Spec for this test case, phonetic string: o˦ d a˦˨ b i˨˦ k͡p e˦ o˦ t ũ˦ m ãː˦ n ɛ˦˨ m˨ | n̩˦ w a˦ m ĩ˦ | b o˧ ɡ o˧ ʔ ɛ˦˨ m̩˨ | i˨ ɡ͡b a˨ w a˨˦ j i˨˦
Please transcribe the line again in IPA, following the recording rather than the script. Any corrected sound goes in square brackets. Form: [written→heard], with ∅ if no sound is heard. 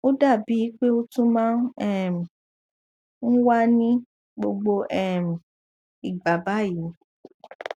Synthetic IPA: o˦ d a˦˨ b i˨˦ k͡p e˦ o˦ t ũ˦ m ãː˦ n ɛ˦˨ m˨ | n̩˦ w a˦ [m→n] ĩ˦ | [b→ɡ͡b] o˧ [ɡ→ɡ͡b] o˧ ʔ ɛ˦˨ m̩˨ | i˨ ɡ͡b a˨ [w→b] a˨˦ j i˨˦